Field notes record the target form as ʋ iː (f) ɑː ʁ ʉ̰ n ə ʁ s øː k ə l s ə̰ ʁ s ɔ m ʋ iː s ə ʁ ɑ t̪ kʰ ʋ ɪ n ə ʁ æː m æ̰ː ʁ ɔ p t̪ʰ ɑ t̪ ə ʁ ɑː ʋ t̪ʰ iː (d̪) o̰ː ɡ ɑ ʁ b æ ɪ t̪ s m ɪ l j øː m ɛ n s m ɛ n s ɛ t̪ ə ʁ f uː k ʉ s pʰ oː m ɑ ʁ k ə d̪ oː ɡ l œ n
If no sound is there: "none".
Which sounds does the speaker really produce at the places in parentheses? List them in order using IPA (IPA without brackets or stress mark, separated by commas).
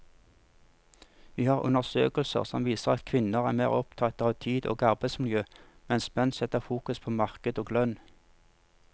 h, d̪